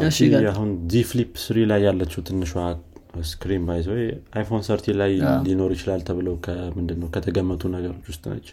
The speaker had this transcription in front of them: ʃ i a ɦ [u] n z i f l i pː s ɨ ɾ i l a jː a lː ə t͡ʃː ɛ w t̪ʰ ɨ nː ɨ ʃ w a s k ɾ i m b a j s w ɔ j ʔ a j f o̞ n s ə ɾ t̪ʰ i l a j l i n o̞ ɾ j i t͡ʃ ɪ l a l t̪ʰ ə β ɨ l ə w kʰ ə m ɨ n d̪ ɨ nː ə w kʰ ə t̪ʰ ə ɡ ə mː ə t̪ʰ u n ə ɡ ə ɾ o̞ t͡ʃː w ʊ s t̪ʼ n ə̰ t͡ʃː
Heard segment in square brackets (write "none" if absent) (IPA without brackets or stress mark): u